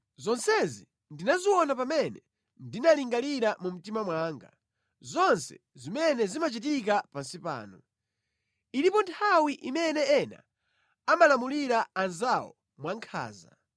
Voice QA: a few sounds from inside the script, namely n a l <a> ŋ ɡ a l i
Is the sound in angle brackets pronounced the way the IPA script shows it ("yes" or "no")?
no